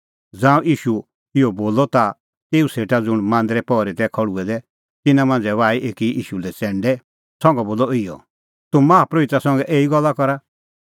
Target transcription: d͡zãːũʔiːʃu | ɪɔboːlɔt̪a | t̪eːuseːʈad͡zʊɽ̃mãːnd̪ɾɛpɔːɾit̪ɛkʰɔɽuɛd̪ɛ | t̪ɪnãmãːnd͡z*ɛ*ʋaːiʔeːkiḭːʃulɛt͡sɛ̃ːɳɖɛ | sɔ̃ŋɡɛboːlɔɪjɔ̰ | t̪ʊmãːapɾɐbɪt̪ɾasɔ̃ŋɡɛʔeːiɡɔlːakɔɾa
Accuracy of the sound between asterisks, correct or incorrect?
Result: correct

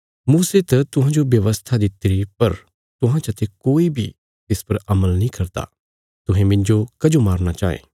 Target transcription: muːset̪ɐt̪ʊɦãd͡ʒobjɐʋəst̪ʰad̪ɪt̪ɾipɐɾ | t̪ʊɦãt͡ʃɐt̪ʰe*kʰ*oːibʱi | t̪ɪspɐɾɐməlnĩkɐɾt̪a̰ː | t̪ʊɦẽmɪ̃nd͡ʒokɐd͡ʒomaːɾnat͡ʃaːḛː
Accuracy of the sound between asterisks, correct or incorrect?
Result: incorrect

